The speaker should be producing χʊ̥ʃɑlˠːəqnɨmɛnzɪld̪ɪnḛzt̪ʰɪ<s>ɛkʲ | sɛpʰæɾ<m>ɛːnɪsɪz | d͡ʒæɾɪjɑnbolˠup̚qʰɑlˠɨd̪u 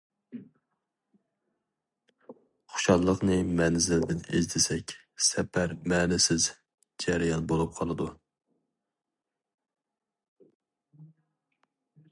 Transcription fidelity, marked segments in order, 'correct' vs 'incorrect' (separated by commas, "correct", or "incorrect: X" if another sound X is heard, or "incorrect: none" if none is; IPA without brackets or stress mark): correct, correct